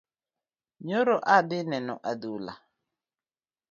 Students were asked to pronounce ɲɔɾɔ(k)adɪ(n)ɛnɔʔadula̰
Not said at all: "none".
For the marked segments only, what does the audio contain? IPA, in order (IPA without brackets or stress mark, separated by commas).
ʔ, n